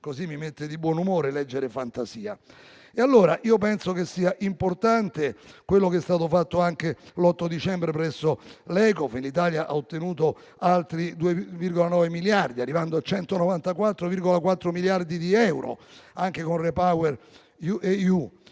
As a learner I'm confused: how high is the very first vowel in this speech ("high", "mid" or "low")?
mid